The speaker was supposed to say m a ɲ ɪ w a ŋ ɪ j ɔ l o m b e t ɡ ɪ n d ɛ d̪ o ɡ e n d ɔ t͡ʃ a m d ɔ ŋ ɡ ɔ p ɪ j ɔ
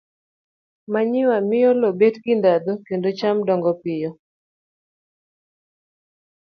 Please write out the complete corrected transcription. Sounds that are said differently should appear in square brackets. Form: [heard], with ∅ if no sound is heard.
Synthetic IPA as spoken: m a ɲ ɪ w a [m] ɪ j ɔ l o [∅] b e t ɡ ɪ n d [a] d̪ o [k] e n d [o] t͡ʃ a m d ɔ ŋ ɡ ɔ p ɪ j ɔ